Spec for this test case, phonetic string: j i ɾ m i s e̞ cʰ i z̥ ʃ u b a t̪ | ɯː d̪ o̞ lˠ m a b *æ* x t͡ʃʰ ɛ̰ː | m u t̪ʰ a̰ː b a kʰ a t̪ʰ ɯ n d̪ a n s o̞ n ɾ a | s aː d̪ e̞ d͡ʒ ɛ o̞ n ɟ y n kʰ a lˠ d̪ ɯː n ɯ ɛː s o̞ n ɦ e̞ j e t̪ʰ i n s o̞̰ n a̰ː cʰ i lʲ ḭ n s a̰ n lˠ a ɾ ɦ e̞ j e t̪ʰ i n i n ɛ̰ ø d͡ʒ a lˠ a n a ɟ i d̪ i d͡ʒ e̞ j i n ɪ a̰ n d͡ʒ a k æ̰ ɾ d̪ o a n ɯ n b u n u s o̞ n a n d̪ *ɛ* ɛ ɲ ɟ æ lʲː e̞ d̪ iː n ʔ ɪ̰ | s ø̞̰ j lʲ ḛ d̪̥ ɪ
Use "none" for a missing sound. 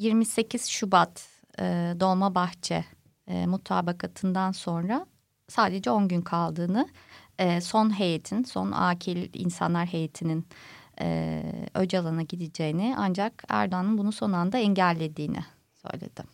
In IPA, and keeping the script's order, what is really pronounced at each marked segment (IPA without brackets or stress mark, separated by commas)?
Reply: a, a